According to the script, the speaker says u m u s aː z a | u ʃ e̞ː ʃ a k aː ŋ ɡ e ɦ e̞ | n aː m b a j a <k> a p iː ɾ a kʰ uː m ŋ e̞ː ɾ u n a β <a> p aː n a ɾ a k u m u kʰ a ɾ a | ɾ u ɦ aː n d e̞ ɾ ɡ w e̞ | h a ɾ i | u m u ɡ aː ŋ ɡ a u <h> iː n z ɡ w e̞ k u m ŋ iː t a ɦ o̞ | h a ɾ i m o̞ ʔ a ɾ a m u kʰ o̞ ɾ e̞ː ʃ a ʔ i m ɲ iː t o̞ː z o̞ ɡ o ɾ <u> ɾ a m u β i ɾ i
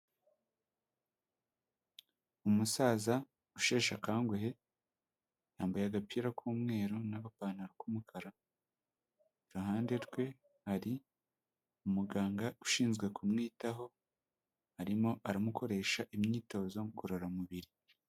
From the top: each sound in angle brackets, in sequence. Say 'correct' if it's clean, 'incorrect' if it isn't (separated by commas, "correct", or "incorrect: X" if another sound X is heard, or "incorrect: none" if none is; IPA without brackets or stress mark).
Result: incorrect: ɡ, correct, incorrect: ʃ, incorrect: o